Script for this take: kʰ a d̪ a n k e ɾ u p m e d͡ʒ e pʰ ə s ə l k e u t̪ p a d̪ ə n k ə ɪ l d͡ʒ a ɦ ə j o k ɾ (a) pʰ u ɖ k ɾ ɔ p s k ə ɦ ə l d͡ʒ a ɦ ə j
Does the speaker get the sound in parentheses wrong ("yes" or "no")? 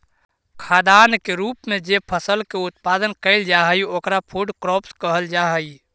no